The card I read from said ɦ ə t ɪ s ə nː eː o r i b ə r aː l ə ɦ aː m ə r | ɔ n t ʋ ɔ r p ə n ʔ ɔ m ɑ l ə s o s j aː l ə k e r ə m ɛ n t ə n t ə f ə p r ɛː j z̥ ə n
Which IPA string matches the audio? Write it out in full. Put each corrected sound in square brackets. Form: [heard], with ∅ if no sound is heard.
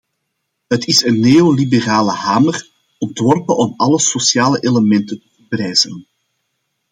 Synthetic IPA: ɦ ə t ɪ s ə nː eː o [l] i b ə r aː l ə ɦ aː m ə r | ɔ n t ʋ ɔ r p ə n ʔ ɔ m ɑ l ə s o s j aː l ə [ʔ] e [l] ə m ɛ n t ə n t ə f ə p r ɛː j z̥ ə n